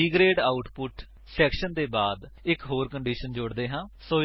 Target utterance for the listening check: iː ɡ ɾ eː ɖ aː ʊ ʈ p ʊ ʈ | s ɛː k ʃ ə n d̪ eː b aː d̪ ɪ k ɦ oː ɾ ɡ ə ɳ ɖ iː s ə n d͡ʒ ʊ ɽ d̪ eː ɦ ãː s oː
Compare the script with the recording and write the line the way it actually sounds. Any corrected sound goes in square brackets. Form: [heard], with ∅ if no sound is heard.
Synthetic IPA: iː ɡ ɾ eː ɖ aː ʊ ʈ p ʊ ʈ | s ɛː k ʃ ə n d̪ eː b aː d̪ ɪ k ɦ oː ɾ [k] ə ɳ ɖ iː [ʃ] ə n d͡ʒ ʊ ɽ d̪ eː ɦ ãː s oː